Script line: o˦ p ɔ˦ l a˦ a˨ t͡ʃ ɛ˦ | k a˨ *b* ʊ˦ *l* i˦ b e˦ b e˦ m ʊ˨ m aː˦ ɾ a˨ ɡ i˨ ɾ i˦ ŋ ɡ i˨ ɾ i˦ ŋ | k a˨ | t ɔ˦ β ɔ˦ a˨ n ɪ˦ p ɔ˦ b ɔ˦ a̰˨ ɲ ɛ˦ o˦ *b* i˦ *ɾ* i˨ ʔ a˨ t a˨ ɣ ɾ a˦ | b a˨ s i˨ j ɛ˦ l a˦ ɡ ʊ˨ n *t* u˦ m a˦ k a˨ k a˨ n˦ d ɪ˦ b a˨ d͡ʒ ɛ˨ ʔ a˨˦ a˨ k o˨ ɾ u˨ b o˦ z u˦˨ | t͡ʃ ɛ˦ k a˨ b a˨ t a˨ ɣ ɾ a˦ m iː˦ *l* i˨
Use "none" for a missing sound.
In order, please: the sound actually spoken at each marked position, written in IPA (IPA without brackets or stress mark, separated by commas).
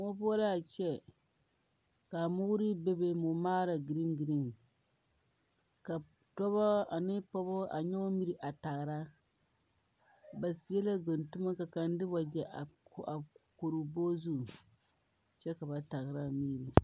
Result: m, ɾ, m, ɾ, t, ɾ